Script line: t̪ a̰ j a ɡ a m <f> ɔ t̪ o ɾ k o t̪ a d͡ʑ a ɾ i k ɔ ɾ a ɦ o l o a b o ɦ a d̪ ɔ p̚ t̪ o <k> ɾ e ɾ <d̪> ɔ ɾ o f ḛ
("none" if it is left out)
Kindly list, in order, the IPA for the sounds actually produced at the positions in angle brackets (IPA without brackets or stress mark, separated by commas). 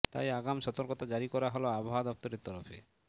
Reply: ʃ, none, t̪